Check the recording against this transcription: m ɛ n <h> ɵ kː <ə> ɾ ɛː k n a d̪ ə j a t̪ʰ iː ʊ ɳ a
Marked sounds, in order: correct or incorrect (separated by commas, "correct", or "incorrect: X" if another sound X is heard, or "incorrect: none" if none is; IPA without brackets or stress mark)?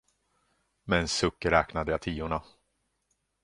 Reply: incorrect: s, correct